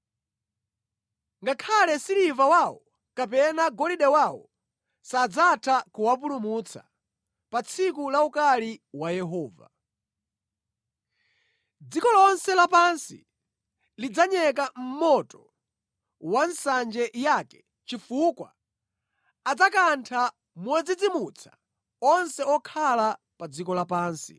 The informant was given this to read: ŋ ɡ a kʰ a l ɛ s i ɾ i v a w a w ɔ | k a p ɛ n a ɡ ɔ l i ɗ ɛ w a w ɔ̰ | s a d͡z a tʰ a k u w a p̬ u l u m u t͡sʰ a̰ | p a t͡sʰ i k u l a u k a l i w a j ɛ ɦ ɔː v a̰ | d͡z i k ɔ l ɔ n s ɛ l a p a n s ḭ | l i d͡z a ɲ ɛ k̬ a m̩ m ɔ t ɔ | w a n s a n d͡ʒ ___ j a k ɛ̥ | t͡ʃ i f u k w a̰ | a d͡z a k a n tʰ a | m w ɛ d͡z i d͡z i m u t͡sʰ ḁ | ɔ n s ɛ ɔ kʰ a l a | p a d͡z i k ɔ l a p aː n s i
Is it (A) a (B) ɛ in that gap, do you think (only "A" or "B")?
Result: B